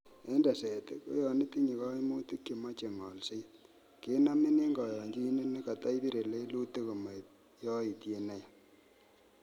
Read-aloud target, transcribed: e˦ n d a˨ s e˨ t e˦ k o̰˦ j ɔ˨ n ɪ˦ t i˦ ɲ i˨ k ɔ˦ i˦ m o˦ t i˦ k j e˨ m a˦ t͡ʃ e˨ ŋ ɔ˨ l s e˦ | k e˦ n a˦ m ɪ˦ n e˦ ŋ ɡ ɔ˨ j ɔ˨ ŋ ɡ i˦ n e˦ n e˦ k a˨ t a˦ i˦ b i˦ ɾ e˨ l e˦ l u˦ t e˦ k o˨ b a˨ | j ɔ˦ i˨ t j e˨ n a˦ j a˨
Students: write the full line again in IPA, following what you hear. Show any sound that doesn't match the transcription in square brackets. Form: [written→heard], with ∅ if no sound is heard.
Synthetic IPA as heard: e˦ n d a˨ s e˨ t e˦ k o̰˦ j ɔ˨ n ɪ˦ t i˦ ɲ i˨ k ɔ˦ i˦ m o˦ t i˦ k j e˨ m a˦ t͡ʃ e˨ ŋ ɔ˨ l s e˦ | k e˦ n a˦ m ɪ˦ n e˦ ŋ ɡ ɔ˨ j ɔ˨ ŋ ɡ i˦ n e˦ n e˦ k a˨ t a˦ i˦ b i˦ ɾ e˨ l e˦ l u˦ t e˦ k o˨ [b→m] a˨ | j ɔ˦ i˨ t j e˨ n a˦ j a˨